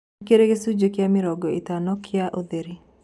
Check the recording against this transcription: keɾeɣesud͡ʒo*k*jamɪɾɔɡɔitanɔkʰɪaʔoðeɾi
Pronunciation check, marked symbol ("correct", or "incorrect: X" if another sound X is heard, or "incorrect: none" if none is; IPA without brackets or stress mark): correct